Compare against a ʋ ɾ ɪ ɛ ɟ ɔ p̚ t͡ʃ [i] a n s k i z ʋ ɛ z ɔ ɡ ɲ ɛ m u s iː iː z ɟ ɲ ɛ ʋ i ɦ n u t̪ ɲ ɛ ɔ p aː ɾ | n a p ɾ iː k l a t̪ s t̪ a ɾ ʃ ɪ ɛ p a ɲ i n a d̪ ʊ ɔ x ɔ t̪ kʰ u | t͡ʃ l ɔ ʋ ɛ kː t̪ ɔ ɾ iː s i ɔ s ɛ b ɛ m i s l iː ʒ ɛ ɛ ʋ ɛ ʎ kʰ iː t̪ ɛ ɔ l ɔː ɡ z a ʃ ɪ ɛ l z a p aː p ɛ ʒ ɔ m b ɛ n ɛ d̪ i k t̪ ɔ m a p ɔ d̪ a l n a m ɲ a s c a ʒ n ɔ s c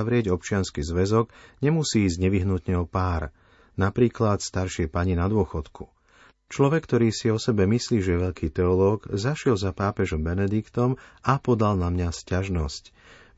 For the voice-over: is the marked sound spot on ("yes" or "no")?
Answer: no